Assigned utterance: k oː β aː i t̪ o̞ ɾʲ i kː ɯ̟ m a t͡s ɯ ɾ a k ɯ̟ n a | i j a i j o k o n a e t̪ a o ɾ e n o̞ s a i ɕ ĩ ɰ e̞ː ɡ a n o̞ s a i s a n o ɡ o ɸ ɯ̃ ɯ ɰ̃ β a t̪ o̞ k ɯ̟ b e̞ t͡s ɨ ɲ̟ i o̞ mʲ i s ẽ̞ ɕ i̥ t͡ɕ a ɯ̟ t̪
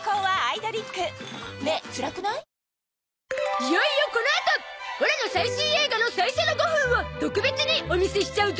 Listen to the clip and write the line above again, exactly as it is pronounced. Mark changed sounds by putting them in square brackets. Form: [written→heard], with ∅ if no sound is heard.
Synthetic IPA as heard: k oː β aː i [t̪→d̪] o̞ ɾʲ i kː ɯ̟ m [a→e] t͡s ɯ ɾ a k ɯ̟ n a | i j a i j o k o n a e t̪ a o ɾ e n o̞ s a i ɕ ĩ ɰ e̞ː ɡ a n o̞ s a i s [a→e] n o ɡ o ɸ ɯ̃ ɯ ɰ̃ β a t̪ o̞ k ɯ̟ b e̞ t͡s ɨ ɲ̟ i o̞ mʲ i s [ẽ̞→e̞] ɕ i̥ t͡ɕ a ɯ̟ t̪

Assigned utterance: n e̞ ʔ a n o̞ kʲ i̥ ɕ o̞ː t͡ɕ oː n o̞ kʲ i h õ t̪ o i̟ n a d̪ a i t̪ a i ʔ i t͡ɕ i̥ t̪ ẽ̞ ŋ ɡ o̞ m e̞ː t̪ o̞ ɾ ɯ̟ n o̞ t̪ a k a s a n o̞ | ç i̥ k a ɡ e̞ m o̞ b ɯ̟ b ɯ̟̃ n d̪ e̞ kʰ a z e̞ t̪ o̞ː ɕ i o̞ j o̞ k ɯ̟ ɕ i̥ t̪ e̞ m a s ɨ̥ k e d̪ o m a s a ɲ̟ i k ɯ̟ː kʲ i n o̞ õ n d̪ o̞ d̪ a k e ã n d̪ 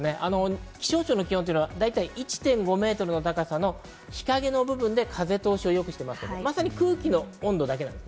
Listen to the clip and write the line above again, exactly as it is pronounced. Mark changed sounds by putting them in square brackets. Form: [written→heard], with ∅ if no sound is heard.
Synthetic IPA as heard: n e̞ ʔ a n o̞ kʲ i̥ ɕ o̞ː t͡ɕ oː n o̞ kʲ i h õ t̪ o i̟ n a d̪ a i t̪ a i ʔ i t͡ɕ i̥ t̪ ẽ̞ ŋ ɡ o̞ m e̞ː t̪ o̞ ɾ ɯ̟ n o̞ t̪ a k a s a n o̞ | ç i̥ k a ɡ e̞ [m→n] o̞ b ɯ̟ b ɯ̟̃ n d̪ e̞ kʰ a z e̞ t̪ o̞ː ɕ i o̞ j o̞ k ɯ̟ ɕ i̥ t̪ e̞ m a s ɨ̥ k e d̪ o m a s a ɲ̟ i k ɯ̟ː kʲ i n o̞ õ n d̪ o̞ d̪ a k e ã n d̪

